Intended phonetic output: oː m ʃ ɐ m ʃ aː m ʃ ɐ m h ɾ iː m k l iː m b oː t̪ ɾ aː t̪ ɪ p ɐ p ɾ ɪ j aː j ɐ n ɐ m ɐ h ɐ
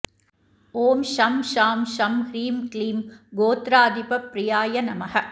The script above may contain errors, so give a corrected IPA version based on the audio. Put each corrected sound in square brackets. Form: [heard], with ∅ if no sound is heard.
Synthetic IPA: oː m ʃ ɐ m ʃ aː m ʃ ɐ m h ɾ iː m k l iː m [ɡ] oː t̪ ɾ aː [d̪] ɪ p ɐ p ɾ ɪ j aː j ɐ n ɐ m ɐ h ɐ